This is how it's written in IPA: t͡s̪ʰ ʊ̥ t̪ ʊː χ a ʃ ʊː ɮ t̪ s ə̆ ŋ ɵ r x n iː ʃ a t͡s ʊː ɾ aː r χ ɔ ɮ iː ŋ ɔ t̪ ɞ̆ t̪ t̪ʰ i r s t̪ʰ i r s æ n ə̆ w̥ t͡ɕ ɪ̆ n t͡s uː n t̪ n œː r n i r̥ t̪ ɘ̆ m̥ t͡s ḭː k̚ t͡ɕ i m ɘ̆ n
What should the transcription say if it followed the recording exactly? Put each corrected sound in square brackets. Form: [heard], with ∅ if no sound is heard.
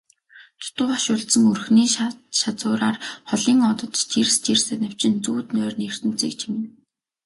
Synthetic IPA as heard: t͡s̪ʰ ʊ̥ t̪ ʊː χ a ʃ ʊː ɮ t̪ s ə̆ ŋ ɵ r x n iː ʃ a t͡s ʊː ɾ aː r χ ɔ ɮ iː ŋ ɔ t̪ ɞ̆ t̪ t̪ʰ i r s t̪ʰ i r s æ n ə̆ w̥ t͡ɕ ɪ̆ n t͡s uː [∅] t̪ n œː r n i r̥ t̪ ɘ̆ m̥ t͡s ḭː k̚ [t͡ɕʰ] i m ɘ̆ n